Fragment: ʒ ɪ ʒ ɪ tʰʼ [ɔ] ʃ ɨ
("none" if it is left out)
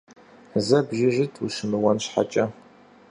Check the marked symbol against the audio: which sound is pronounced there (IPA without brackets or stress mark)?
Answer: u